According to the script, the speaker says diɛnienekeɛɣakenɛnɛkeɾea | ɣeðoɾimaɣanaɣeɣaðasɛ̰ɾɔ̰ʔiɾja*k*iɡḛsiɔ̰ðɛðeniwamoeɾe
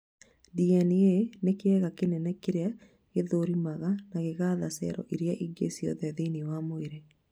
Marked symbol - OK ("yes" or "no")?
no